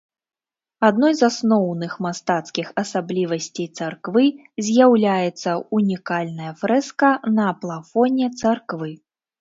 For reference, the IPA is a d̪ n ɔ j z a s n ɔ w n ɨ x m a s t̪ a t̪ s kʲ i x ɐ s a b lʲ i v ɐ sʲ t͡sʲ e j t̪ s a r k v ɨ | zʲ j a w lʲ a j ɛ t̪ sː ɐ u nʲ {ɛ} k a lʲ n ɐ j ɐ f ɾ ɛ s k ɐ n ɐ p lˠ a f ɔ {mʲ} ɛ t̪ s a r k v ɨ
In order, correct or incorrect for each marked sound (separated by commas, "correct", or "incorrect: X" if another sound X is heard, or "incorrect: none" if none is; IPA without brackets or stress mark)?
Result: incorrect: i, incorrect: nʲ